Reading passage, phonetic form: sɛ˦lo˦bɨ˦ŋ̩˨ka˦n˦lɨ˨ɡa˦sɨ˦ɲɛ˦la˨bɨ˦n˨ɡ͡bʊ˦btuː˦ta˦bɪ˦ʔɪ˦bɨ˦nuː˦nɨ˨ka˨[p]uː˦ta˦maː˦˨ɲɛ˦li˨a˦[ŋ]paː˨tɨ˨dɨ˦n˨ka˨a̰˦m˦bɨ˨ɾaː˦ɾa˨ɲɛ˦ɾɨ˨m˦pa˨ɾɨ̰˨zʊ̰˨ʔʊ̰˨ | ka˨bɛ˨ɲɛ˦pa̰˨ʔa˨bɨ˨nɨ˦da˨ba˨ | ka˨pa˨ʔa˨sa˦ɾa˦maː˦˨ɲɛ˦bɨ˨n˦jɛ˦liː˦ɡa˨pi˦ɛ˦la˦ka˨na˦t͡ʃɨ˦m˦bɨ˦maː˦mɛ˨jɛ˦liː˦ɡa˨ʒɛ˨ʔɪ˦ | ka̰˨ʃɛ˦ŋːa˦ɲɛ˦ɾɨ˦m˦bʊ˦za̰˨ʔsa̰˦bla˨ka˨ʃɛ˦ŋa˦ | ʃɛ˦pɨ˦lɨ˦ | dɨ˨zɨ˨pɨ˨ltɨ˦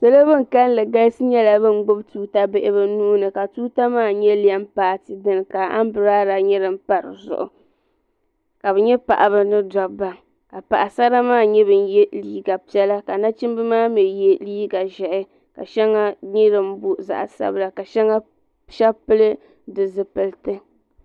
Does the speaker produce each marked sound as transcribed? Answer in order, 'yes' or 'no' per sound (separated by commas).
no, no